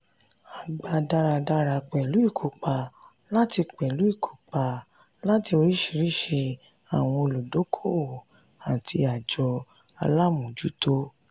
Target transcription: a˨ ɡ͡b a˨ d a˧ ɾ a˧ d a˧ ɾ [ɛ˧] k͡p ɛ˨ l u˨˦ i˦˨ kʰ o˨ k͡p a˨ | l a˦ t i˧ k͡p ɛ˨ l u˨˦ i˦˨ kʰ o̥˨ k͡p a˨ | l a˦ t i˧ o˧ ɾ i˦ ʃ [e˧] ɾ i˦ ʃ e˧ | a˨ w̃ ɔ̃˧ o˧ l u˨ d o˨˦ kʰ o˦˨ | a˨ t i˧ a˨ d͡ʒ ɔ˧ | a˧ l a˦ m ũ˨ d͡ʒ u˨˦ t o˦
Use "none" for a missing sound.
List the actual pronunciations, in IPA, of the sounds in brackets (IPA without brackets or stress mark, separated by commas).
a˧, i˧